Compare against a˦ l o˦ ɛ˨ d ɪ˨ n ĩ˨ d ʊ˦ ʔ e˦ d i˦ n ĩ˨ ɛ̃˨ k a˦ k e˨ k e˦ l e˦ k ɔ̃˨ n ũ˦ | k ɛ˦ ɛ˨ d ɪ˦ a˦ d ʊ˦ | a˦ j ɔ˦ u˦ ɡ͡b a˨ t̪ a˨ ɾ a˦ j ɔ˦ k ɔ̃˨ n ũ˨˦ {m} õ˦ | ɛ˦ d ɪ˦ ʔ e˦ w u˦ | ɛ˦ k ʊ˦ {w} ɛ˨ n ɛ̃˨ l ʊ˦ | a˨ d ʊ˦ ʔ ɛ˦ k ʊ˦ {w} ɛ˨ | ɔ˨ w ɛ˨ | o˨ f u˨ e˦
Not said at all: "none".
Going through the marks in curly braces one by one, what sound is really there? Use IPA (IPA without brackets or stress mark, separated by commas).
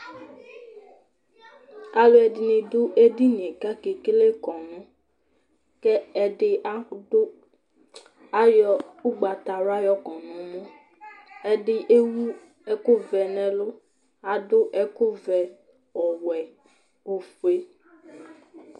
m, v, v